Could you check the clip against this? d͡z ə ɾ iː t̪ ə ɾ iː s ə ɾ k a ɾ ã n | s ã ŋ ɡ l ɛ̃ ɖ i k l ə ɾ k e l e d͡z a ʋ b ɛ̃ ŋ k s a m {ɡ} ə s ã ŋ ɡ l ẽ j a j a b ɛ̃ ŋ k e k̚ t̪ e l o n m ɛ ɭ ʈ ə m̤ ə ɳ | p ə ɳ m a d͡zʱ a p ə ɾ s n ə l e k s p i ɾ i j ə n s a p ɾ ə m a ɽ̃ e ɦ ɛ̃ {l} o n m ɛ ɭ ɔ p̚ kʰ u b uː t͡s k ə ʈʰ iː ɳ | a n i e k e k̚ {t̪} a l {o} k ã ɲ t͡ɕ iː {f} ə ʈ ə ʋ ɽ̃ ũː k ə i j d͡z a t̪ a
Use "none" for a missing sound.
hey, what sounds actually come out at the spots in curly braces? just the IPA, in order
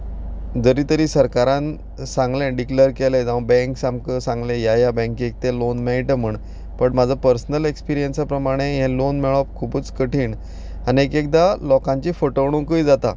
k, l, d̪, ɔ, f

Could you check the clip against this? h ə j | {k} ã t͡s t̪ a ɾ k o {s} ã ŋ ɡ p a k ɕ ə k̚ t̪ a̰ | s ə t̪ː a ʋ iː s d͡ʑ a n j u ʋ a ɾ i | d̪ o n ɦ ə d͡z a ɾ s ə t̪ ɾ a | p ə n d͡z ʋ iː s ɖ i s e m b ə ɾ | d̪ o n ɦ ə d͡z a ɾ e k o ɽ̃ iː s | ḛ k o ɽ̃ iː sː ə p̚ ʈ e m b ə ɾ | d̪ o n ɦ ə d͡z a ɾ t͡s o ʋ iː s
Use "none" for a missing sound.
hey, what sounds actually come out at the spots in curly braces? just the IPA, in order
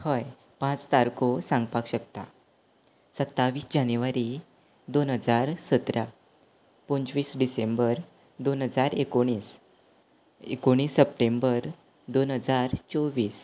p, s

